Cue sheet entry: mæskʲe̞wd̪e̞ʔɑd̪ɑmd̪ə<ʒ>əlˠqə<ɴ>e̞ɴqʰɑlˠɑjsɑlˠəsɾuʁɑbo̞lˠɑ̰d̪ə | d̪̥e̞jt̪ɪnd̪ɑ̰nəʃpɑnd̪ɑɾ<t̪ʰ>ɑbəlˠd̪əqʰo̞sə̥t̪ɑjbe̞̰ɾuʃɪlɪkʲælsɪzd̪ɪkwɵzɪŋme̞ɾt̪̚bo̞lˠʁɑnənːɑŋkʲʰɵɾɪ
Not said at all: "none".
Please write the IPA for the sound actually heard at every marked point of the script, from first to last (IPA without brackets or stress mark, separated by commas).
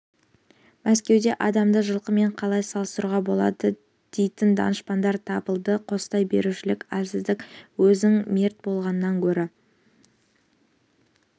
ʒ, m, t̪ʰ